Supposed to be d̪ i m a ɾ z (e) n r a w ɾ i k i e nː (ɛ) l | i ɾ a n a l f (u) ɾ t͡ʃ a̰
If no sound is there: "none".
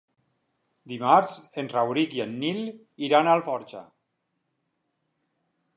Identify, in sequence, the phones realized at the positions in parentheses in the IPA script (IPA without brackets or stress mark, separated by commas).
e, i, ɔ